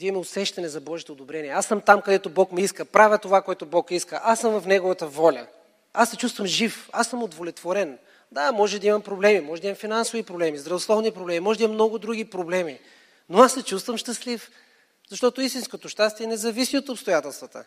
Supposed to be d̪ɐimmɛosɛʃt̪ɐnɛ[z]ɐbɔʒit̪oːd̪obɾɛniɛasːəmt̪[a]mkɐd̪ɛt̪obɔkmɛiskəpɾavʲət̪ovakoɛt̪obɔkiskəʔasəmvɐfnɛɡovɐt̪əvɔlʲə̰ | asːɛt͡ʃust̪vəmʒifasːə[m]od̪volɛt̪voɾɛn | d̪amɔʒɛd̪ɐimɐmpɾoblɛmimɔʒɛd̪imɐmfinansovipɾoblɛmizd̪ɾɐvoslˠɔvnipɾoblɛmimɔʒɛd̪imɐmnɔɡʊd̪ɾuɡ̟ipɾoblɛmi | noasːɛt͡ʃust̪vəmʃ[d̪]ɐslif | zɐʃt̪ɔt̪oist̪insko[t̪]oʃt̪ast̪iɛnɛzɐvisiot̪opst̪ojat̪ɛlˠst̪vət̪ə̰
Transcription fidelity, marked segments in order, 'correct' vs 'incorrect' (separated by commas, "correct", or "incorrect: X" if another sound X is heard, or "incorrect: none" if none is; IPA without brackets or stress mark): correct, correct, correct, incorrect: t̪, correct